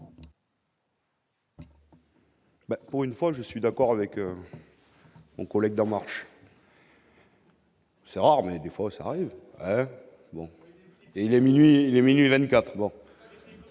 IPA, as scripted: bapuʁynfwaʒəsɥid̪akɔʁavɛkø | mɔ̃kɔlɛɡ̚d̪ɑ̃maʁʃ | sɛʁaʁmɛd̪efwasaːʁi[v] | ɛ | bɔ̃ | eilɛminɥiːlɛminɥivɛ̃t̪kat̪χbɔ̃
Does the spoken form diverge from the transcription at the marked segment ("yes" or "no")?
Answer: no